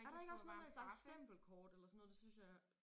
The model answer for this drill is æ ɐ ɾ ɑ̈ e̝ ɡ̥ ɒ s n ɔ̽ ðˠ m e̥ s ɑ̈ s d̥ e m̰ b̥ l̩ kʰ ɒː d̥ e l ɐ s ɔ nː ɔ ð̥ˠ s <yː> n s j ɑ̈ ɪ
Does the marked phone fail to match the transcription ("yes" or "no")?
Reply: yes